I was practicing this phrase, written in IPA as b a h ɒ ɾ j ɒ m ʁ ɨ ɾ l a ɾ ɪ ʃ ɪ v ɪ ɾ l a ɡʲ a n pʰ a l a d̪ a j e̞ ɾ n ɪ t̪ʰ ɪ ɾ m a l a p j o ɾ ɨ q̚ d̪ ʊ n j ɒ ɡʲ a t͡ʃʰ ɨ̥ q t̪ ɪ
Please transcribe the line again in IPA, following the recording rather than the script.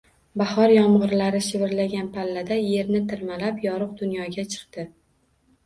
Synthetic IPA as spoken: b a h ɒ ɾ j ɒ m ʁ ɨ ɾ l a ɾ ɪ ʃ ɪ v ɪ ɾ l a ɡʲ a n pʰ a lː a d̪ a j e̞ ɾ n ɪ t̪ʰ ɪ ɾ m a l a p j ɒ ɾ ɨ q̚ d̪ ʊ n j ɒ ɡʲ a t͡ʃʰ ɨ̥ q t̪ ɪ